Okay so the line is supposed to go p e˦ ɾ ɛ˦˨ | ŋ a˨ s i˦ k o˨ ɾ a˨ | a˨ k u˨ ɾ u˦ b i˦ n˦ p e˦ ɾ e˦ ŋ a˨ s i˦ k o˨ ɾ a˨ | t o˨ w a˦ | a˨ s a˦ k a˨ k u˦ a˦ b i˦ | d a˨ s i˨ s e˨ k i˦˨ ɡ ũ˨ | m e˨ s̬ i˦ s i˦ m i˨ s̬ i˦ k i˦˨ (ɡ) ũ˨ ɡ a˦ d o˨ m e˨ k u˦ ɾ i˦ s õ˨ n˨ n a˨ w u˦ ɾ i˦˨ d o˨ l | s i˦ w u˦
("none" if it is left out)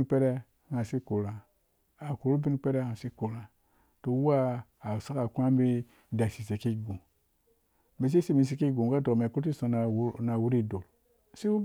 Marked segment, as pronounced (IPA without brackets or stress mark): ɡ